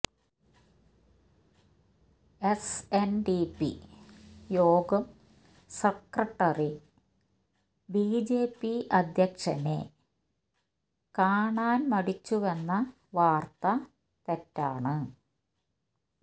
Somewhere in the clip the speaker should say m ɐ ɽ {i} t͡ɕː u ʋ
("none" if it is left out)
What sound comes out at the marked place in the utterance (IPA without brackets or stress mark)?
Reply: i